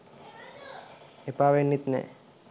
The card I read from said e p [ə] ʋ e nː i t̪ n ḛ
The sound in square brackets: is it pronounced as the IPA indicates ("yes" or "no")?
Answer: no